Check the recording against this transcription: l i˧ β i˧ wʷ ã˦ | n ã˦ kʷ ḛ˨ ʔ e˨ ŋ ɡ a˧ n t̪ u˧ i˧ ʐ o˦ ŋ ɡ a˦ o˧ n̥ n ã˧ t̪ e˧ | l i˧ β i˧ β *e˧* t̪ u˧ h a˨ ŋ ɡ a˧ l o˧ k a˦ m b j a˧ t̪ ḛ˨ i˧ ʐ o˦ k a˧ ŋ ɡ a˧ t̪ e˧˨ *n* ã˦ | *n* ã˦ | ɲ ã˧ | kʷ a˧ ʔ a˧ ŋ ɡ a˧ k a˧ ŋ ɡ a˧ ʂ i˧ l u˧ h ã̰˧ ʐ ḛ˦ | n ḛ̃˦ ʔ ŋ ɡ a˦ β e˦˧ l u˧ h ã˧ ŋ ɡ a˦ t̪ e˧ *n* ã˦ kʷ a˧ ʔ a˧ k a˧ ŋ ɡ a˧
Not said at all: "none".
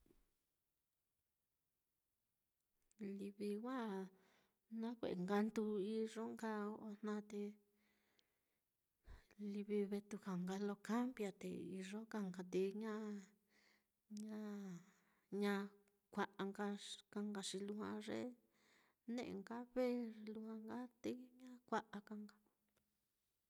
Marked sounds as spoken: e˧, ɲ, ɲ, ɲ

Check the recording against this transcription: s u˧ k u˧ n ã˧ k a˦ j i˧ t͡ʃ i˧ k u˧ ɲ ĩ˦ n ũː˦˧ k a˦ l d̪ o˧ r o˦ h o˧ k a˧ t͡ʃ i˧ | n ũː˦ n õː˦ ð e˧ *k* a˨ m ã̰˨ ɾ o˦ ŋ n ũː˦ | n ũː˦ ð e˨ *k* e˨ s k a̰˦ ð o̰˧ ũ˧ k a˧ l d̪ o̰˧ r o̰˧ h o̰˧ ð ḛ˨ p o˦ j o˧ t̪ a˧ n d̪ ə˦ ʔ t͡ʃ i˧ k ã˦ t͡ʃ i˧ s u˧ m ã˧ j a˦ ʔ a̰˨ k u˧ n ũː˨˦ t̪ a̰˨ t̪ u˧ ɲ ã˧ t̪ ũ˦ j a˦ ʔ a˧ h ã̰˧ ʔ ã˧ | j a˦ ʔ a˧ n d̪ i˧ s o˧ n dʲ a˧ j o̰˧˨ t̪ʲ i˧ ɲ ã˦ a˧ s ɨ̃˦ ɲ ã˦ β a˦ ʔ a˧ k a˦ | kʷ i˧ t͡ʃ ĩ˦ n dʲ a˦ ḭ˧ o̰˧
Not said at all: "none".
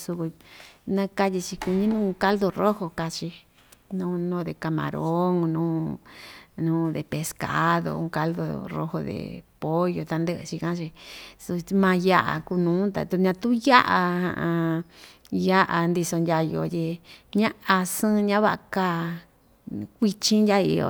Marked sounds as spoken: k, p

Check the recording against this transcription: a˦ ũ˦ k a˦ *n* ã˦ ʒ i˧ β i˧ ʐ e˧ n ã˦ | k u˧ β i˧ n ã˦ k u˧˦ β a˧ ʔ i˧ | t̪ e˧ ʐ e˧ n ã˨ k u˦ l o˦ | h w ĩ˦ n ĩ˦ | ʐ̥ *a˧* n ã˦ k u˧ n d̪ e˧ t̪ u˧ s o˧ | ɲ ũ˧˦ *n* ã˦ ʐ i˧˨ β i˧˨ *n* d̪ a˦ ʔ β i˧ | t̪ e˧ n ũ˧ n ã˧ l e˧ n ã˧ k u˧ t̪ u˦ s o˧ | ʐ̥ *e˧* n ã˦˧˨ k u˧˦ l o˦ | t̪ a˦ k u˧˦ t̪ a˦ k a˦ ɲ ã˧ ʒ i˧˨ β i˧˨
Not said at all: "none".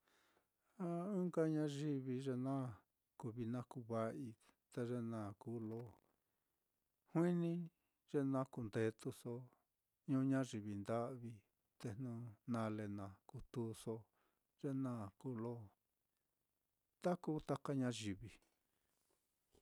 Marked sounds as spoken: ɲ, e˧, ɲ, n, e˧

